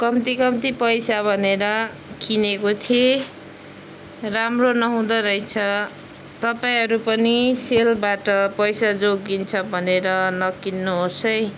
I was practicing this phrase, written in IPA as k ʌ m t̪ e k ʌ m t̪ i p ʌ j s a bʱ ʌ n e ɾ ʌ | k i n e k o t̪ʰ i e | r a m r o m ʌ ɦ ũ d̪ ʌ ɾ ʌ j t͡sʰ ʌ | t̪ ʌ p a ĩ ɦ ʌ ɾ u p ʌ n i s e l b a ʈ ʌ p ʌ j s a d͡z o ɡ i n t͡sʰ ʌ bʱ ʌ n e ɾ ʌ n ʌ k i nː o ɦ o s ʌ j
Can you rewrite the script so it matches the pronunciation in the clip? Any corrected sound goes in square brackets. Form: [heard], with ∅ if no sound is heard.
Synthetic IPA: k ʌ m t̪ [i] k ʌ m t̪ i p ʌ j s a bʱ ʌ n e ɾ ʌ | k i n e k o t̪ʰ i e | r a m r o [n] ʌ ɦ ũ d̪ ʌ ɾ ʌ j t͡sʰ ʌ | t̪ ʌ p a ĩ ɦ ʌ ɾ u p ʌ n i s e l b a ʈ ʌ p ʌ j s a d͡z o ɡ i n t͡sʰ ʌ bʱ ʌ n e ɾ ʌ n ʌ k i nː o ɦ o s ʌ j